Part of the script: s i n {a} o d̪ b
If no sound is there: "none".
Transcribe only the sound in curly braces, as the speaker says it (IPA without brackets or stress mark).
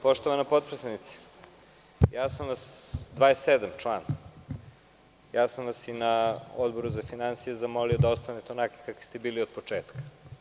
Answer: a